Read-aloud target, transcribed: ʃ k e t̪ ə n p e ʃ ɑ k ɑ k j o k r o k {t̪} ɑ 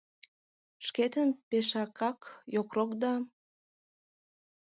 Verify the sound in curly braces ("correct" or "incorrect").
incorrect